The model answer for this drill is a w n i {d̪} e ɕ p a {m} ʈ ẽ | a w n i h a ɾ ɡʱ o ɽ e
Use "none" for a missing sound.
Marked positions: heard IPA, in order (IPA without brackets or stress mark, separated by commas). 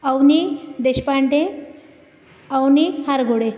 d̪, ɳ